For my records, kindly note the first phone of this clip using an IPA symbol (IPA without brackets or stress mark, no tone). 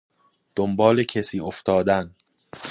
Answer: d̪̥